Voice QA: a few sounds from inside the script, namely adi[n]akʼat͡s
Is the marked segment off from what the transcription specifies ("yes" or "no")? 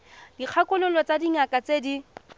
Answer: yes